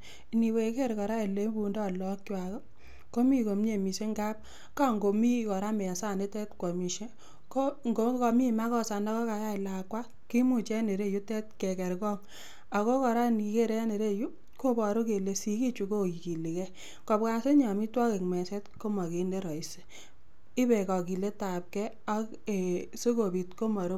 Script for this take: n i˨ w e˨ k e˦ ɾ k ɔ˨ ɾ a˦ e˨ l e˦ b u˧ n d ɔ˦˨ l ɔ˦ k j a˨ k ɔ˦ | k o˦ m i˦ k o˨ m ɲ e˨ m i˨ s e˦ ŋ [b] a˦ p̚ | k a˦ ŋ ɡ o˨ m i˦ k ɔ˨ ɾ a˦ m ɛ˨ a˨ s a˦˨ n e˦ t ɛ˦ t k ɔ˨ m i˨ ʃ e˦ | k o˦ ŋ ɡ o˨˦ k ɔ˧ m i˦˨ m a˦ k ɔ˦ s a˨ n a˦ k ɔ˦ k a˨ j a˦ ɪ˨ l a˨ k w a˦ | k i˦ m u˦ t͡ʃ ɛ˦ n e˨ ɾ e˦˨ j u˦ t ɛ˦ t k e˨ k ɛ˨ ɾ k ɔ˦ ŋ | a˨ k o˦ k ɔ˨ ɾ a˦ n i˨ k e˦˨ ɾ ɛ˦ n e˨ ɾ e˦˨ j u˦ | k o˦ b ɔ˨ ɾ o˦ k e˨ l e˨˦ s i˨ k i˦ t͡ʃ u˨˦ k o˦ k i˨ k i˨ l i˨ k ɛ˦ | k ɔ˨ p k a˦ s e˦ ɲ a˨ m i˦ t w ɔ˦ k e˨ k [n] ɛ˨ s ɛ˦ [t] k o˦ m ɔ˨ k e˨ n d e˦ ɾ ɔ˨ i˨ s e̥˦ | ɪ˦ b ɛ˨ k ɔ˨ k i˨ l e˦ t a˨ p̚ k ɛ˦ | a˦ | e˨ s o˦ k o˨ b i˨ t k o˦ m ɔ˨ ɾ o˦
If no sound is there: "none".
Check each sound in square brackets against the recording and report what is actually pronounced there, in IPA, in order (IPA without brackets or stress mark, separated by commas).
ɡ, m, t